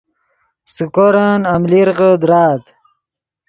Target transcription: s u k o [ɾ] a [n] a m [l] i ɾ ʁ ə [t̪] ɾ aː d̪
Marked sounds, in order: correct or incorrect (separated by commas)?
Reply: correct, correct, correct, incorrect